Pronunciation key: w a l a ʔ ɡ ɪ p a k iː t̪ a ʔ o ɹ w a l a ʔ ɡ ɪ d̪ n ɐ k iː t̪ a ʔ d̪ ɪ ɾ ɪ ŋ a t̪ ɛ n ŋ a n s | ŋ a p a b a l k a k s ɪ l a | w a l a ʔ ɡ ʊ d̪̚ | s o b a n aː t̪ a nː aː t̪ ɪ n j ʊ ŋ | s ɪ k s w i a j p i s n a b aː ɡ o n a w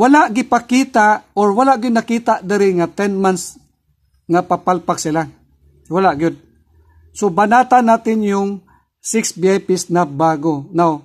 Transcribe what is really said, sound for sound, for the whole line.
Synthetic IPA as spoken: w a l a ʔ ɡ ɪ p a k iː t̪ a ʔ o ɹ w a l a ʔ ɡ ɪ d̪ n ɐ k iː t̪ a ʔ d̪ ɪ ɾ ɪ ŋ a t̪ ɛ n m a n s | ŋ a p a p a l p a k s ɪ l a | w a l a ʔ ɡ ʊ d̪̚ | s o b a n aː t̪ a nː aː t̪ ɪ n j ʊ ŋ | s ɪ k s b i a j p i s n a b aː ɡ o n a w